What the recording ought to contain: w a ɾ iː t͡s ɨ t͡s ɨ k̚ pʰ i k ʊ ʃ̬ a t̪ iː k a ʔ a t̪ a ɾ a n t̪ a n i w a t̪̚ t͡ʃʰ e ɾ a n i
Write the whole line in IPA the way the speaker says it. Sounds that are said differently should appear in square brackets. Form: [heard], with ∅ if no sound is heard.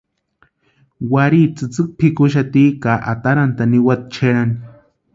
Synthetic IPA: w a ɾ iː t͡s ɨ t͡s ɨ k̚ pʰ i k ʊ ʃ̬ a t̪ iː k a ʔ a t̪ a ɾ a n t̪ a n i w a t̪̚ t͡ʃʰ e ɾ a n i

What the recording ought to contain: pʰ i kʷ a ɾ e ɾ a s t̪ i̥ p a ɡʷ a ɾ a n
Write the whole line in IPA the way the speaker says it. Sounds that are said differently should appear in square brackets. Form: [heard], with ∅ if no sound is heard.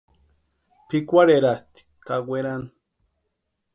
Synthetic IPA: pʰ i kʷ a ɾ e ɾ a s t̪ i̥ [k] a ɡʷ [e] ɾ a n

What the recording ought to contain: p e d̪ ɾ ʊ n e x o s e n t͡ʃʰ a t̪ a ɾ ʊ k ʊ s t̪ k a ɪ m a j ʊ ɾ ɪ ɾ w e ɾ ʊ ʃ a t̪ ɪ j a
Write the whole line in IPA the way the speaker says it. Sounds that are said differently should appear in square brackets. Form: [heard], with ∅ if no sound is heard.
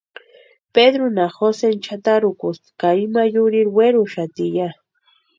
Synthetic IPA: p e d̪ ɾ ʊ n [a] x o s e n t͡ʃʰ a t̪ a ɾ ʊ k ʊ s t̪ k a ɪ m a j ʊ ɾ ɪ ɾ w e ɾ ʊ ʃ a t̪ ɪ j a

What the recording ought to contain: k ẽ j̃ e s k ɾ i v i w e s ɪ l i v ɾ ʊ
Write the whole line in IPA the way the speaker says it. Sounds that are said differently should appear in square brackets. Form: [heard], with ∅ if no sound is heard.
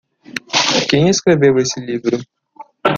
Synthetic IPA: k ẽ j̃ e s k ɾ [e] v [e] w e s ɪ l i v ɾ ʊ

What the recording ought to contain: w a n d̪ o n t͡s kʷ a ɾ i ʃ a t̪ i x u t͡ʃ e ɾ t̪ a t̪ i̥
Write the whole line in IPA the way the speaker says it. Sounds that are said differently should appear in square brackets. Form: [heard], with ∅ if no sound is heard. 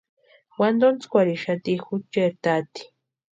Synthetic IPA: w a n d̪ o n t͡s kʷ a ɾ i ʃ a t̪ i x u t͡ʃ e ɾ t̪ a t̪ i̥

